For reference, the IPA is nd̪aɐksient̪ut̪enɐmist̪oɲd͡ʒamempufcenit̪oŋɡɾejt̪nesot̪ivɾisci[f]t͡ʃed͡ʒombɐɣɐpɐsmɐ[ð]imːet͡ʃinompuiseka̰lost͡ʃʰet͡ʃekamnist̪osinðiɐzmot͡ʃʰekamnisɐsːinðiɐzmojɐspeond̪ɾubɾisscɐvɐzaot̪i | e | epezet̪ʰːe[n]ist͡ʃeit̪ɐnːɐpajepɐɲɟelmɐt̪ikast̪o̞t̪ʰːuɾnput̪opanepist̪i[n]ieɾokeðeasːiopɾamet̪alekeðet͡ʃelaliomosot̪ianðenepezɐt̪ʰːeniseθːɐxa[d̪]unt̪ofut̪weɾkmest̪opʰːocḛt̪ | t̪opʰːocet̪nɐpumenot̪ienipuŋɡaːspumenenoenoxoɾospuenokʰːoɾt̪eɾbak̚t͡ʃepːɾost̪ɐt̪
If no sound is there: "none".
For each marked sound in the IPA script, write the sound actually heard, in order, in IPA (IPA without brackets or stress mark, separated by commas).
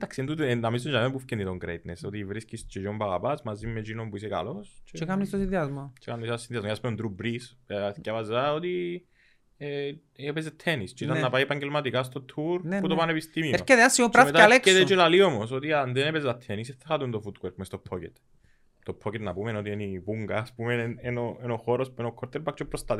s, z, n, m, t̪